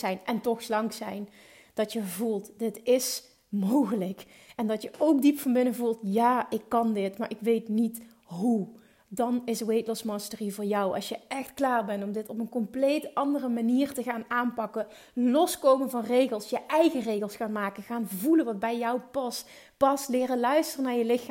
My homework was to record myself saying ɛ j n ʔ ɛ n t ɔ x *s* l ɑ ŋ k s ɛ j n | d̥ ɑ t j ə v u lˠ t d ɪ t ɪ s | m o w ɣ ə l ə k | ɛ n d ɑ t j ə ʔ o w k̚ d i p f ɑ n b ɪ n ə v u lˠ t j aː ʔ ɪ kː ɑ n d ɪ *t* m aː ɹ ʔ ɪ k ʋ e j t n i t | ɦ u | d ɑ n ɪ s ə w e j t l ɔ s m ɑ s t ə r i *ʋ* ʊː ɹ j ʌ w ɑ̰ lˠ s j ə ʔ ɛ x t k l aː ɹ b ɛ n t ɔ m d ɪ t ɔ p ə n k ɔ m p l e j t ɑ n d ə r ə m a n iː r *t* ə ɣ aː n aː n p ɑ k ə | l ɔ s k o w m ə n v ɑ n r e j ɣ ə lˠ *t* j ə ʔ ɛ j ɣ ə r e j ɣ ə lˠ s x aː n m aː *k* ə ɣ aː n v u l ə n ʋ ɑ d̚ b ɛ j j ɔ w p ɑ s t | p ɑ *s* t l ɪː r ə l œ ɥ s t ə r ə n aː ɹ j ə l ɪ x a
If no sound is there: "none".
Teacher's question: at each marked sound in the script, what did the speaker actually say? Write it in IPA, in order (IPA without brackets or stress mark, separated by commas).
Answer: s, t, v, t, s, k, s